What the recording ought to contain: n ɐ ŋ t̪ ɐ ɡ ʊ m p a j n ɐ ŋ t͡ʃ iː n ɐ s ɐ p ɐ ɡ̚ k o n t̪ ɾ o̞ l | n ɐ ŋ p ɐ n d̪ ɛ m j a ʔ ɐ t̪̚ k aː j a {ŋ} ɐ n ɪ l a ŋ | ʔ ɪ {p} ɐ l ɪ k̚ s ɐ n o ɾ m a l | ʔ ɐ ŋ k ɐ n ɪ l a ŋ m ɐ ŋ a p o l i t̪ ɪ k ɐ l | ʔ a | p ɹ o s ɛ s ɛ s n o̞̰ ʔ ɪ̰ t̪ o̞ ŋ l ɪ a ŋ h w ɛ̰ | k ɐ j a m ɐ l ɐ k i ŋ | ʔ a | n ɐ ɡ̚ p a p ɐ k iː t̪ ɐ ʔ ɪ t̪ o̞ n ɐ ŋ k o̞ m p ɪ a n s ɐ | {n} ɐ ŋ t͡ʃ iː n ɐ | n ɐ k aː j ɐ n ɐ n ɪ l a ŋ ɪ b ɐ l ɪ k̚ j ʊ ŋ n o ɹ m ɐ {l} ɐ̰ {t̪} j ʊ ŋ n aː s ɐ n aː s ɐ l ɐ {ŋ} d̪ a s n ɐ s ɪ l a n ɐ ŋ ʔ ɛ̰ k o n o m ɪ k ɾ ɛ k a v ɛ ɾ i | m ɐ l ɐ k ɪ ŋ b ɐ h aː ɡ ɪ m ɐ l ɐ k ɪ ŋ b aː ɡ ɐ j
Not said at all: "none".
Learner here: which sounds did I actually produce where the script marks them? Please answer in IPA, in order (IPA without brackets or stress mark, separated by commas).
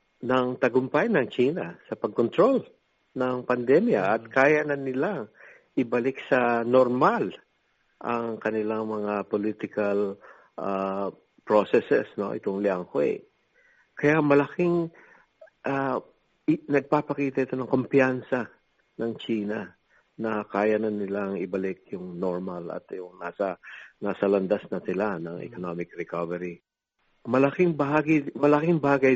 n, b, n, l, t̪, n